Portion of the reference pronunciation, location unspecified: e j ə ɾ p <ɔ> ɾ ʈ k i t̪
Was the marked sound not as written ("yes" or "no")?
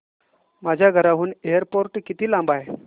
yes